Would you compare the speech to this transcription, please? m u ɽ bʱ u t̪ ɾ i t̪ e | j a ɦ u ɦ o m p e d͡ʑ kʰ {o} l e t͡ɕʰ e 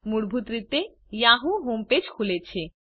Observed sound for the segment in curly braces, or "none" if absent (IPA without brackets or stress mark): u